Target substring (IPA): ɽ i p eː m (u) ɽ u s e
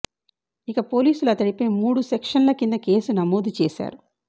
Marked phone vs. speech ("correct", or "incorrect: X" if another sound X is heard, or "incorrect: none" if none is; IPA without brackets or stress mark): incorrect: uː